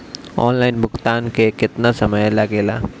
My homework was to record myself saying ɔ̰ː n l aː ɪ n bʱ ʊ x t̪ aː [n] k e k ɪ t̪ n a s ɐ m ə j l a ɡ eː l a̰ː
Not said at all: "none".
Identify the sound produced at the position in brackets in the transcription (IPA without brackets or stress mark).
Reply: n